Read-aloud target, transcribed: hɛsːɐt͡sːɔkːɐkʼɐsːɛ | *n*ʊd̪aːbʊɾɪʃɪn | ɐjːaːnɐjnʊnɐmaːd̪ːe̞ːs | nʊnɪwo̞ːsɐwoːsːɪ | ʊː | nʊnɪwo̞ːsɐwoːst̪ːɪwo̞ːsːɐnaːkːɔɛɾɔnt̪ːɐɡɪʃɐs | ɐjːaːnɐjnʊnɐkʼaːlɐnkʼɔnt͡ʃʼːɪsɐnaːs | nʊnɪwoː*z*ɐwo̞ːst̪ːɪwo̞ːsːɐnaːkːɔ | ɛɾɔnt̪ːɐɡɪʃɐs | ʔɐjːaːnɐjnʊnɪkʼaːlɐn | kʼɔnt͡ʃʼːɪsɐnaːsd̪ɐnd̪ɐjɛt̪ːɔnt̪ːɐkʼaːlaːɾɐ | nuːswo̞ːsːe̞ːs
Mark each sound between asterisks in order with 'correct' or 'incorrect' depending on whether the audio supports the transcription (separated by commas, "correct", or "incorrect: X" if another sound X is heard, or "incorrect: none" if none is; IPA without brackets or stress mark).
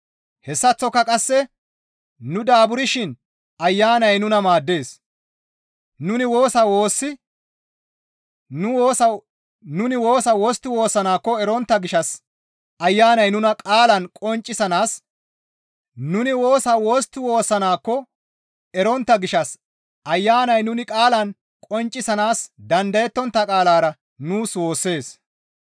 correct, incorrect: s